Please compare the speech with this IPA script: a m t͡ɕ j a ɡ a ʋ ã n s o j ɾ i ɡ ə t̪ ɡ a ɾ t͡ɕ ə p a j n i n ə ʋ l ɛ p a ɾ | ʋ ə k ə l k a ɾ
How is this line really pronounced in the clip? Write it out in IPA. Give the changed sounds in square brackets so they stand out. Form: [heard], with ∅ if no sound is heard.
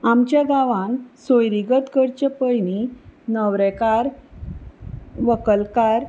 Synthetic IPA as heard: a m t͡ɕ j a ɡ a ʋ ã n s o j ɾ i ɡ ə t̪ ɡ [ə] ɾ t͡ɕ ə p [ə] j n i n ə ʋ [ɾ] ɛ [k] a ɾ | ʋ ə k ə l k a ɾ